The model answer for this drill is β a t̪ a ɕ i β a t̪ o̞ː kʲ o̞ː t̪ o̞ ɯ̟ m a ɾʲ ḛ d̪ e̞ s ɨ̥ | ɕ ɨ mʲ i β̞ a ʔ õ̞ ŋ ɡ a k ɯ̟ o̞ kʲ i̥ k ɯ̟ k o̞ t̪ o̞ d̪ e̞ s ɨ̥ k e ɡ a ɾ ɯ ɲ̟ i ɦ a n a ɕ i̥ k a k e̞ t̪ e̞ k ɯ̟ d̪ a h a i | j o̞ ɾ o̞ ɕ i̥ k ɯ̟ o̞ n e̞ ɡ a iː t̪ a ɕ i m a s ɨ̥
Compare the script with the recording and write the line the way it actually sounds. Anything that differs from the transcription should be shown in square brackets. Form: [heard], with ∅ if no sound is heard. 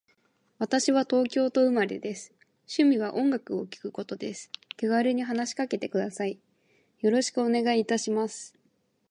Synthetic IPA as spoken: β a t̪ a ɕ i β a t̪ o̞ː kʲ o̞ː t̪ o̞ ɯ̟ m a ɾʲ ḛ d̪ e̞ s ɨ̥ | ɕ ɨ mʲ i β̞ a ʔ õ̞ ŋ ɡ a k ɯ̟ o̞ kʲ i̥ k ɯ̟ k o̞ t̪ o̞ d̪ e̞ s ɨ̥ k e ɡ a ɾ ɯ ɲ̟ i ɦ a n a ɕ i̥ k a k e̞ t̪ e̞ k ɯ̟ d̪ a [s] a i | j o̞ ɾ o̞ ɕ i̥ k ɯ̟ o̞ n e̞ ɡ a iː t̪ a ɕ i m a s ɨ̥